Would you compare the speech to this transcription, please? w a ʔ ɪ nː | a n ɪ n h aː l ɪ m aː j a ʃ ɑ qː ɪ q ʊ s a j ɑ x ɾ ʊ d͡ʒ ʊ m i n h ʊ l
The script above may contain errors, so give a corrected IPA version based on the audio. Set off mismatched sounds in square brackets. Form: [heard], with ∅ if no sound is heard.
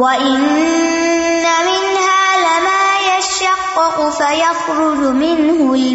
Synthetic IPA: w a ʔ ɪ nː | a [m] ɪ n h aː l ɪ m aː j a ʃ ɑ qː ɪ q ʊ [f] a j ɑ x ɾ ʊ d͡ʒ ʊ m [ɪ] n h ʊ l